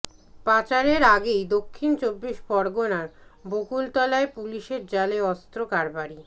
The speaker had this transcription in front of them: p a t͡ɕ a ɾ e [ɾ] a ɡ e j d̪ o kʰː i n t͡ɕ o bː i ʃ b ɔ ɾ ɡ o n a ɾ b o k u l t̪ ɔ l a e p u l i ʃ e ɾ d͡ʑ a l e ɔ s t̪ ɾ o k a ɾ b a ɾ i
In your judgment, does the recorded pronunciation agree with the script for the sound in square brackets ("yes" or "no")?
yes